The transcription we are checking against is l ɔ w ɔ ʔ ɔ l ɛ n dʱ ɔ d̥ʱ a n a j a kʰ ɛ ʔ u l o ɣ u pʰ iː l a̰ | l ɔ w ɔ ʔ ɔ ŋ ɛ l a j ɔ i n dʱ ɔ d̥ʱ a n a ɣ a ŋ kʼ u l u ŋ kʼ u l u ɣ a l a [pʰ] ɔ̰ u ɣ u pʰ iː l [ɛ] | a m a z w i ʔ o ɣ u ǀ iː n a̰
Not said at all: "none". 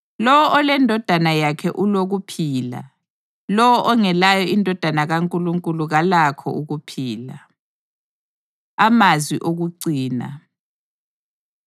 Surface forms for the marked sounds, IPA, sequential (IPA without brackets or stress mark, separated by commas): kʰ, a